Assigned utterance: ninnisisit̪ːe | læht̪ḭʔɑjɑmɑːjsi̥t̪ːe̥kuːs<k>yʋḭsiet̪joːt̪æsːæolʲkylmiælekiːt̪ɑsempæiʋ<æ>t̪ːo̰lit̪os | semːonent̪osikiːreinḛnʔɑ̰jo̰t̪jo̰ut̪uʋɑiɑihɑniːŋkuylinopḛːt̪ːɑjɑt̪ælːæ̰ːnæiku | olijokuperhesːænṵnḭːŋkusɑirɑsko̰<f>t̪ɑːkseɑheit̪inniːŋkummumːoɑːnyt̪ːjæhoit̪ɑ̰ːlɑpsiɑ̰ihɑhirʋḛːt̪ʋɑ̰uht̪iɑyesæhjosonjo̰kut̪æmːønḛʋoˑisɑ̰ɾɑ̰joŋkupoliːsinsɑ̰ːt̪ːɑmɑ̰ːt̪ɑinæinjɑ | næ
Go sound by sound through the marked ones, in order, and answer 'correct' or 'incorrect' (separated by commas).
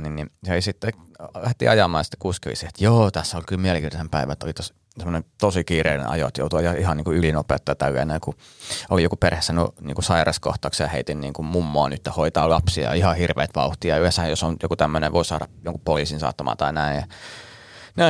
correct, correct, incorrect